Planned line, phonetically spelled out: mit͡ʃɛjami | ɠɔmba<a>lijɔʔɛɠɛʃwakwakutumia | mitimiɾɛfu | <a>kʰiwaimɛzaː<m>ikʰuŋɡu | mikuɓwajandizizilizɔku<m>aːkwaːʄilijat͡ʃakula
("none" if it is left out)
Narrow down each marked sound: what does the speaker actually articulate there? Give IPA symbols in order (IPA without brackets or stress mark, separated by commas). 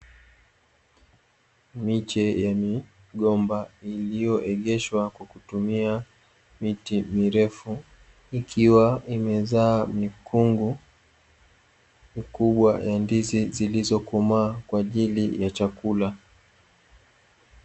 i, i, m, m